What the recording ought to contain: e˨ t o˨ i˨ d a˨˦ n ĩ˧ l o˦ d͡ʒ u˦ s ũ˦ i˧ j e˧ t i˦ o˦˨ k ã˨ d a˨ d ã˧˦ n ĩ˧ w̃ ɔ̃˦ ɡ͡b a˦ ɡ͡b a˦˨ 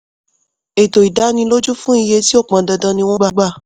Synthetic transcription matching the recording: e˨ t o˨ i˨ d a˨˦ n ĩ˧ l o˦ d͡ʒ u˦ f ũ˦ i˧ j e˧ t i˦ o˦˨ k͡p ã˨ d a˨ d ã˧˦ n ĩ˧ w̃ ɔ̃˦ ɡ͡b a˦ ɡ͡b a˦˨